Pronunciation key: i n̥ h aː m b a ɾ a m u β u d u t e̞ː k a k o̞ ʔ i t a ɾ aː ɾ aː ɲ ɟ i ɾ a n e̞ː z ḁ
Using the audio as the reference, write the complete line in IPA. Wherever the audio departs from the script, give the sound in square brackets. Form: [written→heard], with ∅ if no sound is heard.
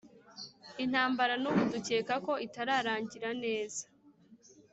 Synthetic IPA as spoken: i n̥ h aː m b a ɾ a [m→n] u β u d u [t→c] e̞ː k a k o̞ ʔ i t a ɾ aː ɾ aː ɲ ɟ i ɾ a n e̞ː z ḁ